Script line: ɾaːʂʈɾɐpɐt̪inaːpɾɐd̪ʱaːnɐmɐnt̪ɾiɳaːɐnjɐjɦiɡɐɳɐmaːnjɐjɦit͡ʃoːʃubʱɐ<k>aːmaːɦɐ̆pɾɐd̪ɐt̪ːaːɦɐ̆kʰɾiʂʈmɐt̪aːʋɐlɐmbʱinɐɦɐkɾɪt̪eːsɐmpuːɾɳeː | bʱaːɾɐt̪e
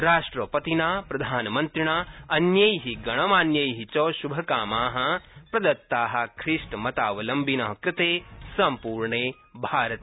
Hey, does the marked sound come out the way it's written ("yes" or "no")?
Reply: yes